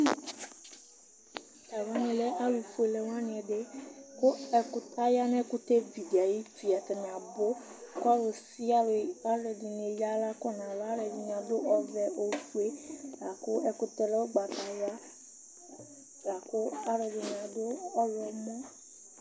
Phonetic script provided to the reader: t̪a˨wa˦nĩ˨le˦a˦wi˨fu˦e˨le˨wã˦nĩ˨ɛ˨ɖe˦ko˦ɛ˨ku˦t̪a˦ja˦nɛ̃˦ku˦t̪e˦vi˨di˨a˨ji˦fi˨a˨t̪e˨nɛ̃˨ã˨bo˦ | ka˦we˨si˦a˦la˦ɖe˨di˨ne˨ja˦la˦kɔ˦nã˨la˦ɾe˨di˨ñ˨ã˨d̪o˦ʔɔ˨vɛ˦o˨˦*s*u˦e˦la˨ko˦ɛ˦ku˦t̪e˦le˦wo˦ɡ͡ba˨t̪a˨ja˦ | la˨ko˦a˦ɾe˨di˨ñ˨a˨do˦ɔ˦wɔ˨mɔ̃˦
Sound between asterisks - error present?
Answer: yes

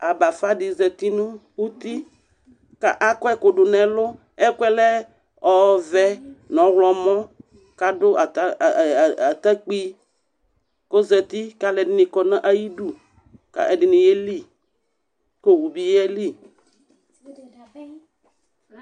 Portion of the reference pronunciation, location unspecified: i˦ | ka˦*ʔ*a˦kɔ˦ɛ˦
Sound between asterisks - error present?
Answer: no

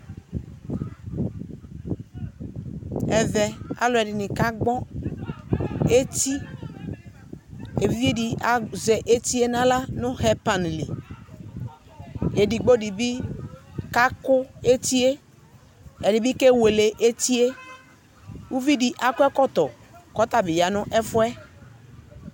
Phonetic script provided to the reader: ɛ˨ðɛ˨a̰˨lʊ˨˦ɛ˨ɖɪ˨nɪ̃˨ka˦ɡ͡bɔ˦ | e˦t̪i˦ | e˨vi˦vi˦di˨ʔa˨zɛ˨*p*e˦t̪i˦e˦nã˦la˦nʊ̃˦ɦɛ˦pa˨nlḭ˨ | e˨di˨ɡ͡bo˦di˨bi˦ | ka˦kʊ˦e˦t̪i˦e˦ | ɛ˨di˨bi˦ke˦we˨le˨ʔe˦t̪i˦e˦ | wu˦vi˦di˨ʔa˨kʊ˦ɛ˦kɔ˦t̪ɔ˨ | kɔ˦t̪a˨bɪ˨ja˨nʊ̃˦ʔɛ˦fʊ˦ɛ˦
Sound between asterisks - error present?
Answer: yes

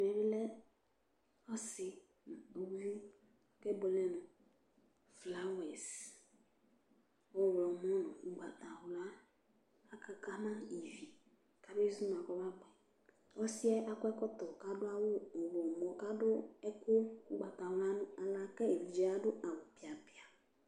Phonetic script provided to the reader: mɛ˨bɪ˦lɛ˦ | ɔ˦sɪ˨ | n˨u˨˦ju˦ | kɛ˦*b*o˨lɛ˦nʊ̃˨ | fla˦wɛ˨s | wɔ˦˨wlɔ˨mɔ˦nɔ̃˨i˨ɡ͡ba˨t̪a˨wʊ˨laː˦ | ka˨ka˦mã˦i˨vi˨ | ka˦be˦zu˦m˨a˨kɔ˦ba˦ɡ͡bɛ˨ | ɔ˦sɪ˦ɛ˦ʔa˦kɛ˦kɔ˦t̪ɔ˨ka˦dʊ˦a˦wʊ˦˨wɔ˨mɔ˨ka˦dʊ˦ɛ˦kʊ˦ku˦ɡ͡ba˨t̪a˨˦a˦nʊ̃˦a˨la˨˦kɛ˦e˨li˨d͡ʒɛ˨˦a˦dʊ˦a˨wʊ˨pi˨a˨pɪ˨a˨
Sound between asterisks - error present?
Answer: no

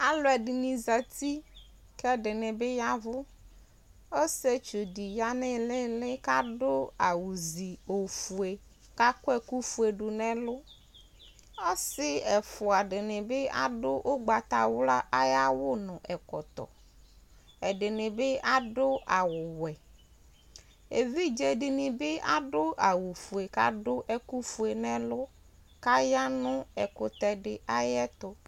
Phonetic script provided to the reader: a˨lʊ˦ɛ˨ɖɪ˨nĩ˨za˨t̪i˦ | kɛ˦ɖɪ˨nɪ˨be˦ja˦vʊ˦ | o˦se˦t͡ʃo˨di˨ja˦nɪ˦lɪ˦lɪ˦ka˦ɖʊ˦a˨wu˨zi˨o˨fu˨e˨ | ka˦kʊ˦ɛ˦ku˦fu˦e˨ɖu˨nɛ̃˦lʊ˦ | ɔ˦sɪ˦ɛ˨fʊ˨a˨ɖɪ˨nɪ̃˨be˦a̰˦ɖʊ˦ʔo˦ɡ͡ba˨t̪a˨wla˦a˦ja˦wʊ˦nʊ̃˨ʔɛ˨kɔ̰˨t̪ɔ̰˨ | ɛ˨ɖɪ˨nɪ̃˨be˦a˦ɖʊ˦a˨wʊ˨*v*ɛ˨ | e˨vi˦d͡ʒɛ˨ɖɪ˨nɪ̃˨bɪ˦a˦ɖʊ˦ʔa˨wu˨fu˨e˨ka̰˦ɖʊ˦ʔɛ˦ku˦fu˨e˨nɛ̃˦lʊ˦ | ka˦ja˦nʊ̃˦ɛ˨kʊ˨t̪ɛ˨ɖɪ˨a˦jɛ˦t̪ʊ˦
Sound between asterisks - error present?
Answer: yes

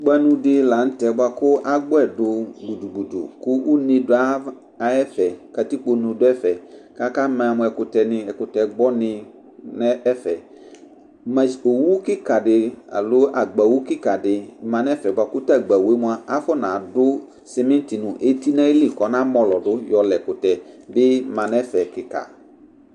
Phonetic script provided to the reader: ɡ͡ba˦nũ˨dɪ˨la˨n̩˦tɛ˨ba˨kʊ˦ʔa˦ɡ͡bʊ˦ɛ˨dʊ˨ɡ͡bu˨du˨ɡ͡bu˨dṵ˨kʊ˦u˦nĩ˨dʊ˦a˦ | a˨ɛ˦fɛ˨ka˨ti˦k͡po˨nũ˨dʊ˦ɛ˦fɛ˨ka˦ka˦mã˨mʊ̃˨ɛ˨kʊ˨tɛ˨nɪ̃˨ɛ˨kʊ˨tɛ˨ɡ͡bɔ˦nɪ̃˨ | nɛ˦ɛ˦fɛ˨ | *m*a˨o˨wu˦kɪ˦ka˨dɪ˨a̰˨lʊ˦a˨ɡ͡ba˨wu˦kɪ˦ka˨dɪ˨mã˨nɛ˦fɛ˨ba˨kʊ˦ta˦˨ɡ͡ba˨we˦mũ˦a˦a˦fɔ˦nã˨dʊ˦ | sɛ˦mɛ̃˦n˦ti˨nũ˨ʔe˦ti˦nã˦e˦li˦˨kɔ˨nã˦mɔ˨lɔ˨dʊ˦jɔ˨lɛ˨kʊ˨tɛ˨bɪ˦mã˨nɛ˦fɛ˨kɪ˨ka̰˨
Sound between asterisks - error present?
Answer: no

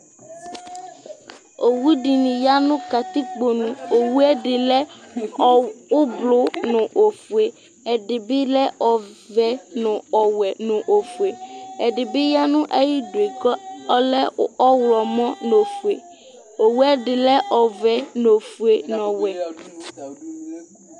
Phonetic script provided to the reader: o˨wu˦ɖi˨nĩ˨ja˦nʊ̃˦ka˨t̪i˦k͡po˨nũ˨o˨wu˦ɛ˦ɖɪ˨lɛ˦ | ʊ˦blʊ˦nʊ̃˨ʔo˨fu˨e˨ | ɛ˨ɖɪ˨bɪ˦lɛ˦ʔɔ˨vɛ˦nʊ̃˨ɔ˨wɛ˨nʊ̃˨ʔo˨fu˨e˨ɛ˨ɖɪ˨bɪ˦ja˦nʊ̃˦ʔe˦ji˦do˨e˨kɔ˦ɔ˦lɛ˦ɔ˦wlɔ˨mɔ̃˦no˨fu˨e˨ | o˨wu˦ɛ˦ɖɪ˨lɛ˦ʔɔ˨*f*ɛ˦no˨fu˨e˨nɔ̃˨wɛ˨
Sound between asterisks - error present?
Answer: yes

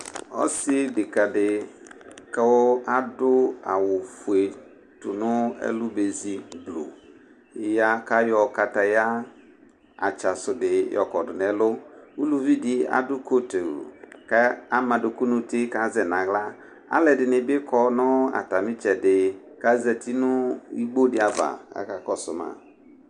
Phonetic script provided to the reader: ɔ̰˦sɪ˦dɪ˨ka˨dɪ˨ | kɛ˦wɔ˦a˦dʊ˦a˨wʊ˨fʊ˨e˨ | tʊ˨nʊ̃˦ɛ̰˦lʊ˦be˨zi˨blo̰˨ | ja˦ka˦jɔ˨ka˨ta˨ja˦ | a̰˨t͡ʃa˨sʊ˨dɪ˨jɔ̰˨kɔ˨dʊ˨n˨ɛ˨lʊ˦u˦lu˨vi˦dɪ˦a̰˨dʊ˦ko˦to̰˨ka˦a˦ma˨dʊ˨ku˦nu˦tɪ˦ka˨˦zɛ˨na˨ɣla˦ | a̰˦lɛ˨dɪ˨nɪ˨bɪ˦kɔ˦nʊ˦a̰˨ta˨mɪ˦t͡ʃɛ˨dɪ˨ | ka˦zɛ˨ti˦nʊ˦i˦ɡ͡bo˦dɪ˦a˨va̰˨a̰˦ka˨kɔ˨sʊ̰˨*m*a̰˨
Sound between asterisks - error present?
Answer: no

